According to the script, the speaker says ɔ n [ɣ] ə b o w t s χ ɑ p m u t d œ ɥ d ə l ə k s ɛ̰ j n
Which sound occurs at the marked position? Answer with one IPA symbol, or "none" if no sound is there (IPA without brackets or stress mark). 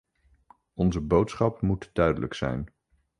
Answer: z